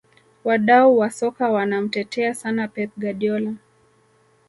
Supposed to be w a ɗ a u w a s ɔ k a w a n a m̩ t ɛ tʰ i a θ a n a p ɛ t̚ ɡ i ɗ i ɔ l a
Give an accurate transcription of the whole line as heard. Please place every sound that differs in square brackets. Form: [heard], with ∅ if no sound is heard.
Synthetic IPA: w a ɗ a u w a s ɔ k a w a n a m̩ t ɛ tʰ [ɛ] a [s] a n a p ɛ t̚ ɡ [a] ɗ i ɔ l a